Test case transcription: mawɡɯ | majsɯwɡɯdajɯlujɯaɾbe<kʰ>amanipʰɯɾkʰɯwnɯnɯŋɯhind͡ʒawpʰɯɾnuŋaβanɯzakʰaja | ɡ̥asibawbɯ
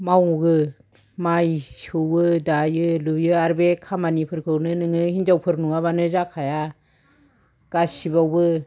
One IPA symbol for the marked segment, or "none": kʰ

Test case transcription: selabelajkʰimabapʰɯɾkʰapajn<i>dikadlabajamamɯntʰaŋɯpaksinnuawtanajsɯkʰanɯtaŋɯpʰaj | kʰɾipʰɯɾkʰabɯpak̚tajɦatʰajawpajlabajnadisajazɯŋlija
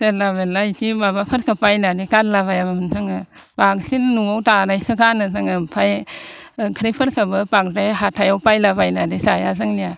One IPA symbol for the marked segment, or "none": a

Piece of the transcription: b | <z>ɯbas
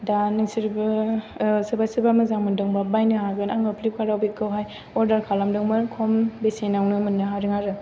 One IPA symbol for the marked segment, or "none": s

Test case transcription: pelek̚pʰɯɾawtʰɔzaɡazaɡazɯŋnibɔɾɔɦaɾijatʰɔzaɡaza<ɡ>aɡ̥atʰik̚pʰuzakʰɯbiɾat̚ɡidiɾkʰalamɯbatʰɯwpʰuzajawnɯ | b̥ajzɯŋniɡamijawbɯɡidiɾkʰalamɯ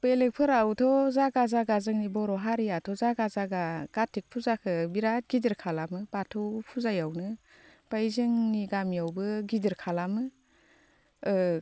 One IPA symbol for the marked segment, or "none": ɡ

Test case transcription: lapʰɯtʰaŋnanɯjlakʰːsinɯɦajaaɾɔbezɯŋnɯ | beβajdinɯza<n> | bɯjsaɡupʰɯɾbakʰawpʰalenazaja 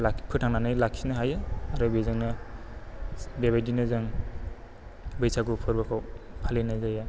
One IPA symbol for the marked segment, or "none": ŋ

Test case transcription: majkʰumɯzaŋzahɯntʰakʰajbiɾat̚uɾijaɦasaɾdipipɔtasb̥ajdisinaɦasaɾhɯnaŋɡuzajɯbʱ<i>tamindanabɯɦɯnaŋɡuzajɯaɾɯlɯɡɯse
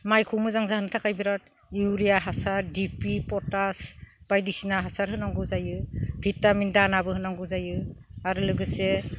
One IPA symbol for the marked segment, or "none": i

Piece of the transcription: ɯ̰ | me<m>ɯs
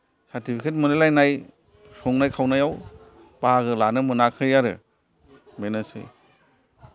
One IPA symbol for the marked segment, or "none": n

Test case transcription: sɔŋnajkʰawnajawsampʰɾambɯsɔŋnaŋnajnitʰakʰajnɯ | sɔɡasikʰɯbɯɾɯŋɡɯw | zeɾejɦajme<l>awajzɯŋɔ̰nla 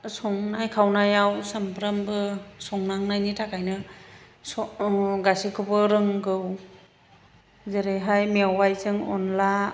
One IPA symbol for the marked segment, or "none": none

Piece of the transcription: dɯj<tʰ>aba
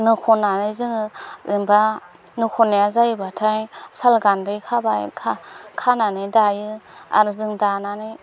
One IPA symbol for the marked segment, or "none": kʰ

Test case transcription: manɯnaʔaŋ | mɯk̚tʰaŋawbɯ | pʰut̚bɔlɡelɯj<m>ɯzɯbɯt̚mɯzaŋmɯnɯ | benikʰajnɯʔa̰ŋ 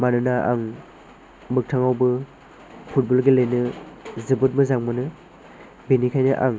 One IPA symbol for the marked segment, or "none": n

